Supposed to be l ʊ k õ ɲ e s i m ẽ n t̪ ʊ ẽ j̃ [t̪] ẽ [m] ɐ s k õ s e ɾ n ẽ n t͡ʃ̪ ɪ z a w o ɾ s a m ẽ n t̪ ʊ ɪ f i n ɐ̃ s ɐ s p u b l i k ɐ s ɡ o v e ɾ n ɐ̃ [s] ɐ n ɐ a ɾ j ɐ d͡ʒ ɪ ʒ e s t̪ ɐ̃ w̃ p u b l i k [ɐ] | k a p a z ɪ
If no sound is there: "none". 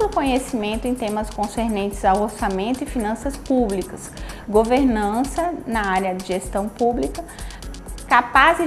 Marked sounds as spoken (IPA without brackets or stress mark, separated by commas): t̪, m, s, ɐ